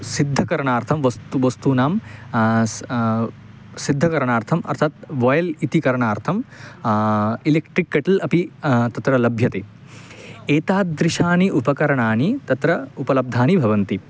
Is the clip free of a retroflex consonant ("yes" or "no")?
no